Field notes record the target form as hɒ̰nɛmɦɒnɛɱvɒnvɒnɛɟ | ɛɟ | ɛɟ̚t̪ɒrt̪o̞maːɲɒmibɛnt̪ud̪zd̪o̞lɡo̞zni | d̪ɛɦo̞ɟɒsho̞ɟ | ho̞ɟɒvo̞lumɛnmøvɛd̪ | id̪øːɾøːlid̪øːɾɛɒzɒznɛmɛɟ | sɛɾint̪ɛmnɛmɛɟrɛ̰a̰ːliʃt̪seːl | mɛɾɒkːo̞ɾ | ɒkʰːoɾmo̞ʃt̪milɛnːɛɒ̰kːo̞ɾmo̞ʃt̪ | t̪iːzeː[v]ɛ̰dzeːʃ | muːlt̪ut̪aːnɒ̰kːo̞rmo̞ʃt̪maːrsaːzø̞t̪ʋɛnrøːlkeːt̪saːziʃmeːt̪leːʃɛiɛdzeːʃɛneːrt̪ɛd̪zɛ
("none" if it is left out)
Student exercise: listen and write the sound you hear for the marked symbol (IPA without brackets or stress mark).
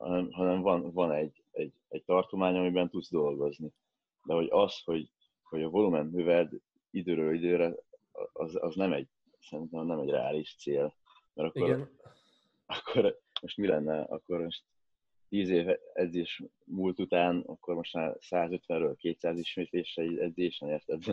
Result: v